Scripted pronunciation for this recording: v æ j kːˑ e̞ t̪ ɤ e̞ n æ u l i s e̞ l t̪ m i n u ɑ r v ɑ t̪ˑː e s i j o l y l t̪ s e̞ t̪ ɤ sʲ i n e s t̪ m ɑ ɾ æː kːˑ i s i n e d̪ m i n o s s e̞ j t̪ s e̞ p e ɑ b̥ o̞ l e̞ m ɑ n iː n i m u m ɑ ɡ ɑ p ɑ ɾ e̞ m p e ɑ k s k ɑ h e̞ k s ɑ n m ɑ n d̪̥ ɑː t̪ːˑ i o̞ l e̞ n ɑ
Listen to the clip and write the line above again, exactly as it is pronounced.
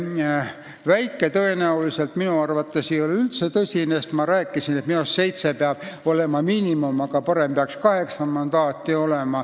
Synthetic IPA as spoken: v æ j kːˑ e̞ t̪ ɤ e̞ n æ u l i s e̞ l t̪ m i n u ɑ r v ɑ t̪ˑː e s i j o l y l t̪ s e̞ t̪ ɤ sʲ i n e s t̪ m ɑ ɾ æː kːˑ i s i n e t̪ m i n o s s e̞ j t̪ s e̞ p e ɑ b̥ o̞ l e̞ m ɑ m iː n i m u m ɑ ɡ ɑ p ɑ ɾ e̞ m p e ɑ k s k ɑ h e̞ k s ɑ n m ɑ n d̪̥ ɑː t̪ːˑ i o̞ l e̞ m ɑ